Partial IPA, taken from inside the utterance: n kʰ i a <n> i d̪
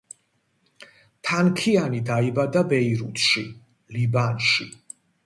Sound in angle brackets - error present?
no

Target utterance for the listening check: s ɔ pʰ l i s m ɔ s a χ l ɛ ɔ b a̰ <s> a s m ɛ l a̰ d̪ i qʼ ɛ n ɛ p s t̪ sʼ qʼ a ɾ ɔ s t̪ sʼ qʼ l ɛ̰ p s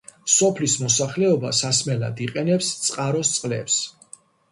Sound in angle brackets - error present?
no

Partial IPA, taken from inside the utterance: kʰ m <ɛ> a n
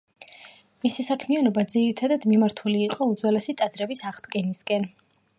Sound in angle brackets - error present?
yes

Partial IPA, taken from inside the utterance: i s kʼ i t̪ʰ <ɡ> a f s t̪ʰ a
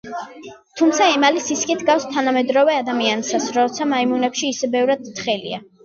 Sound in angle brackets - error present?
no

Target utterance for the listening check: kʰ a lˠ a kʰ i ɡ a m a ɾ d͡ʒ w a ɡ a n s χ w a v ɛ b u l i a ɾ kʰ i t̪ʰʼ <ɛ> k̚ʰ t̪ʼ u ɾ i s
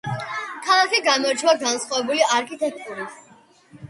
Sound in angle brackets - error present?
no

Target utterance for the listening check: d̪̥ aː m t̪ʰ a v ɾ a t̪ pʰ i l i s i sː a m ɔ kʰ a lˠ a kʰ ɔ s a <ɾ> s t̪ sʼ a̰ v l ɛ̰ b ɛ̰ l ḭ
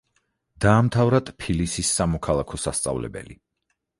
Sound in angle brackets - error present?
yes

